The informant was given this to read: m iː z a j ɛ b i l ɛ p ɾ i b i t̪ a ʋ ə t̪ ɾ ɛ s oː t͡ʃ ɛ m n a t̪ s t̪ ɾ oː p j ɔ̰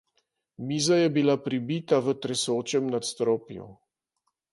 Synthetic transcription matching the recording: m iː z a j ɛ b i l a p ɾ i b i t̪ a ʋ ə t̪ ɾ ɛ s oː t͡ʃ ɛ m n a t̪ s t̪ ɾ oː p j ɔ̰